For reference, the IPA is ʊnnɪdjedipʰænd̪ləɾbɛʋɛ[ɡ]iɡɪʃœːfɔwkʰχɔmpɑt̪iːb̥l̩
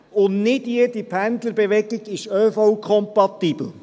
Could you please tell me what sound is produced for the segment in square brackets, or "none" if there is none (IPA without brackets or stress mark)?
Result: ɡ